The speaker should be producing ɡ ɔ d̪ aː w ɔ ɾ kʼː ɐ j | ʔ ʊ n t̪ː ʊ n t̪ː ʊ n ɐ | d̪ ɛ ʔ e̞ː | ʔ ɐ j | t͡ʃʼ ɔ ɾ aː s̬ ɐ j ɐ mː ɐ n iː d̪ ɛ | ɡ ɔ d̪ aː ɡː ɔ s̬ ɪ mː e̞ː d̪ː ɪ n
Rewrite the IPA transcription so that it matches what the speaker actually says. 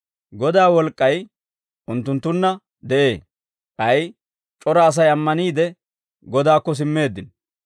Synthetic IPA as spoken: ɡ ɔ d̪ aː w ɔ l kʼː ɐ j | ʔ ʊ n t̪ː ʊ n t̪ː ʊ nː ɐ | d̪ ɛ ʔ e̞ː | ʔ ɐ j | t͡ʃʼ ɔ ɾ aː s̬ ɐ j ɐ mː ɐ n iː d̪ ɛ | ɡ ɔ d̪ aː kː ɔ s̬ ɪ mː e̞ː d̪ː ɪ n

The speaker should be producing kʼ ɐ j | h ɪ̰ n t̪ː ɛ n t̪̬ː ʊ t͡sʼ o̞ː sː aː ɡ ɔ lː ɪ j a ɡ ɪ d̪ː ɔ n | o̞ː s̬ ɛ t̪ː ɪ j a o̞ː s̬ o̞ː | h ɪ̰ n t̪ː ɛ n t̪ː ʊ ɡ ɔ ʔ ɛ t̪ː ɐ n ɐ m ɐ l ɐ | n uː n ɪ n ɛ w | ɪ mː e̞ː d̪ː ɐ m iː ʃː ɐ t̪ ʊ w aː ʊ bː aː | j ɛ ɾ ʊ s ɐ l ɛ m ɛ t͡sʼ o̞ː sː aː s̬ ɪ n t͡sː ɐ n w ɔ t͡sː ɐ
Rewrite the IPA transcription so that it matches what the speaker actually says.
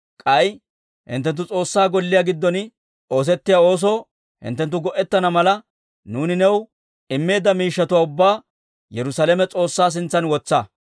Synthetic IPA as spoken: kʼ ɐ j | h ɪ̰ n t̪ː ɛ n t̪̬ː ʊ t͡sʼ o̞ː sː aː ɡ ɔ lː ɪ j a ɡ ɪ d̪ː ɔ n | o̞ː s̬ ɛ t̪ː ɪ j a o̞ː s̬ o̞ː | h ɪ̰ n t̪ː ɛ n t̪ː ʊ ɡ ɔ ʔ ɛ t̪ː ɐ n ɐ m ɐ l ɐ | n uː n ɪ n ɛ w | ɪ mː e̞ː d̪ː ɐ m iː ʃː ɐ t̪ ʊ w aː ʊ bː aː | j ɛ ɾ ʊ s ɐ l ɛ m ɛ t͡sʼ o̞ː sː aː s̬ ɪ n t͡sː ɐ n w ɔ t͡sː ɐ

